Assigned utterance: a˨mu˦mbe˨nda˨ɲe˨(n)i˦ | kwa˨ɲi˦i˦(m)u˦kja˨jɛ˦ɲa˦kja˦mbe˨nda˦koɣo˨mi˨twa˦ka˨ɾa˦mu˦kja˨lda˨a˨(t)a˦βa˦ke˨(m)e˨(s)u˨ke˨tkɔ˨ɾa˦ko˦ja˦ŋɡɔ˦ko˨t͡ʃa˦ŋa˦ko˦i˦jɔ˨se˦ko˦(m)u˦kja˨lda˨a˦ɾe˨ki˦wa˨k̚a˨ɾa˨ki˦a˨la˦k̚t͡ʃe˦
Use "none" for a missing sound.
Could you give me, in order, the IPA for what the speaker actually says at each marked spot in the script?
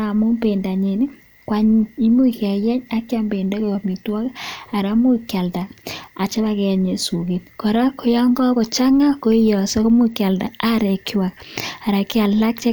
n, m, t͡ʃ, ɲ, s, m

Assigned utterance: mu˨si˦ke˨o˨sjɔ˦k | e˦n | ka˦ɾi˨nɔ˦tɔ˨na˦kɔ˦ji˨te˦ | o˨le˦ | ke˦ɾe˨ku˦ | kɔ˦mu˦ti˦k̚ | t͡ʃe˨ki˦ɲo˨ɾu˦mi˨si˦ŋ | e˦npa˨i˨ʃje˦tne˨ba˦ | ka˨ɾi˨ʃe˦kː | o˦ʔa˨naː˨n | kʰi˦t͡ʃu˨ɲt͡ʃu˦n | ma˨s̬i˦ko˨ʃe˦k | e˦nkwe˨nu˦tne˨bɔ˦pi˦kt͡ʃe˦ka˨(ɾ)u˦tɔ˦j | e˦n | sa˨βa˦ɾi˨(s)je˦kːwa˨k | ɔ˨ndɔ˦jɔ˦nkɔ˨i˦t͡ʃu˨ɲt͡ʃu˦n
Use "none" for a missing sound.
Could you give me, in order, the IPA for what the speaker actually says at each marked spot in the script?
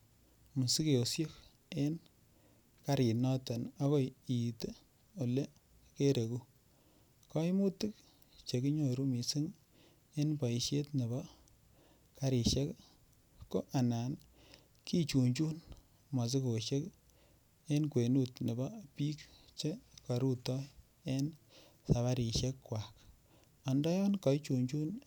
ɾ, ʃ

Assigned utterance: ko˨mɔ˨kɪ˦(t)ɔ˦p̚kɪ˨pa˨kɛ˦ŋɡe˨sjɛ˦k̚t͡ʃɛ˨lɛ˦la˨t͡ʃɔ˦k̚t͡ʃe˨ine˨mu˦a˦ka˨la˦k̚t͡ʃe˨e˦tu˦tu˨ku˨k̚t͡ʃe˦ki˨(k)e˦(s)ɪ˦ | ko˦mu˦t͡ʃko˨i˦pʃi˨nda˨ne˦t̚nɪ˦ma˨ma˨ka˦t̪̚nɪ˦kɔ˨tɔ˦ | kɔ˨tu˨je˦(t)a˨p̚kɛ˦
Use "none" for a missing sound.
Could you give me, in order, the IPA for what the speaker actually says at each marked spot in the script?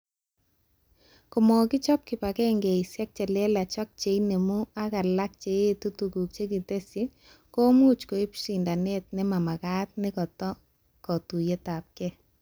t͡ʃ, t, s, t

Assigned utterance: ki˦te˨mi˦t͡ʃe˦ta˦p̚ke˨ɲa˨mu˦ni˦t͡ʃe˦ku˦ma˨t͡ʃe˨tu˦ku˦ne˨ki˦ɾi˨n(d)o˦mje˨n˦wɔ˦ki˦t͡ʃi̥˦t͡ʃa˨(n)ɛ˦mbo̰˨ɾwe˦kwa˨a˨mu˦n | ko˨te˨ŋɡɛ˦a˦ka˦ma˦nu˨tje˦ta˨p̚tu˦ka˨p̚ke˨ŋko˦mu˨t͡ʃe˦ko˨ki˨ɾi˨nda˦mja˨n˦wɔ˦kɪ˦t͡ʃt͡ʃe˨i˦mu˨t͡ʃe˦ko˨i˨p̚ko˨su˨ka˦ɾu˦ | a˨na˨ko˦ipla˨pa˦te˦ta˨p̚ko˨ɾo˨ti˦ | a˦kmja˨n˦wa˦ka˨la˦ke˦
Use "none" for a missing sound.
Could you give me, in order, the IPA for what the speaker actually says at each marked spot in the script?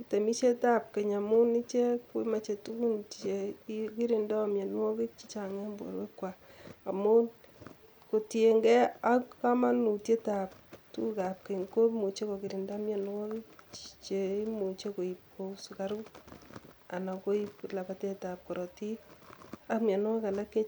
d, ŋ

